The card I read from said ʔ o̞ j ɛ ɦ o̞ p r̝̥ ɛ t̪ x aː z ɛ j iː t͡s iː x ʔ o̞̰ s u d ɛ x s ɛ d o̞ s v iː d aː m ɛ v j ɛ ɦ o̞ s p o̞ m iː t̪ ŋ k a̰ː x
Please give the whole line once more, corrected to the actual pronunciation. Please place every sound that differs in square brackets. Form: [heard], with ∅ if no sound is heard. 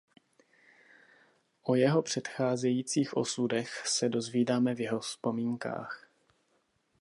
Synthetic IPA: ʔ o̞ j ɛ ɦ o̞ p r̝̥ ɛ t̪ x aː z ɛ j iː t͡s iː x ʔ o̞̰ s u d ɛ x s ɛ d o̞ [z] v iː d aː m ɛ v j ɛ ɦ o̞ s p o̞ m iː [∅] ŋ k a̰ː x